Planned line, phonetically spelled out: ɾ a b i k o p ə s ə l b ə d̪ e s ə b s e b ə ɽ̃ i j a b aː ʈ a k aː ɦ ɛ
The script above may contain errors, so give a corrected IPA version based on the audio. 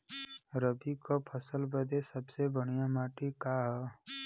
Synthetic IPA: ɾ ə b i k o pʰ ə s ə l b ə d̪ e s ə b s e b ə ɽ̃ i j a m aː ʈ i k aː ɦ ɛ